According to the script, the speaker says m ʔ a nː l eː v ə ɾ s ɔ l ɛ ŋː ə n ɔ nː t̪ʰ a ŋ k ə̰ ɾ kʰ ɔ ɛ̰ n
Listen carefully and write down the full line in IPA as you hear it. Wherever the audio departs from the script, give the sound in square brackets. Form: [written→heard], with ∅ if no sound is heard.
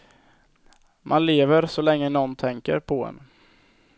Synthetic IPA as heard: m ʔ a [nː→n] l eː v ə ɾ s ɔ l ɛ ŋː ə n ɔ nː t̪ʰ [a→ɛ] ŋ k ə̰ ɾ [kʰ→pʰ] ɔ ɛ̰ n